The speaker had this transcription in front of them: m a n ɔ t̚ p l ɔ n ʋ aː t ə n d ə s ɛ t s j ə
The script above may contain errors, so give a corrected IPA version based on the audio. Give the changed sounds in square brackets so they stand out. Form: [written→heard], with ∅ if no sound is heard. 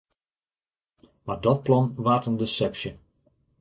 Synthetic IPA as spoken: m a [n→d] ɔ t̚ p l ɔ n ʋ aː t ə n d ə s ɛ [t→p] s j ə